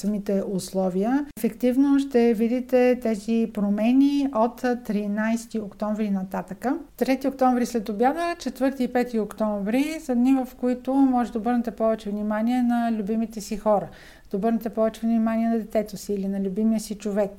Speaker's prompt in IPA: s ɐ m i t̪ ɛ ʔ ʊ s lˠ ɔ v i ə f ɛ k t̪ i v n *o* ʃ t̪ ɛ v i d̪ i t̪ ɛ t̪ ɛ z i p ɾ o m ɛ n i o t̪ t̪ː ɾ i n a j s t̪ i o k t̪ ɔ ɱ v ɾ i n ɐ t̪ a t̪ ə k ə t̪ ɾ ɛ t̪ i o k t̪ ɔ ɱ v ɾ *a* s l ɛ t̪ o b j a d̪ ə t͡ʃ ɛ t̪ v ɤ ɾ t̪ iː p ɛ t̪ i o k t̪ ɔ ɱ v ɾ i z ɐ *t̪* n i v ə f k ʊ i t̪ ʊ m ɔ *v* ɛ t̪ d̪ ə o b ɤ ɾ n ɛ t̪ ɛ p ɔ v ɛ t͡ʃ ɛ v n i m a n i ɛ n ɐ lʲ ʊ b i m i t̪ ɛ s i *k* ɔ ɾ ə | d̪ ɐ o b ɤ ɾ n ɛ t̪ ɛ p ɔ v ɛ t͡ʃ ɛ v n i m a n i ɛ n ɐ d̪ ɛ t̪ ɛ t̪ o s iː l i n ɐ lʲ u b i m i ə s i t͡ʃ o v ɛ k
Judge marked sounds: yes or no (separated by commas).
yes, no, no, no, no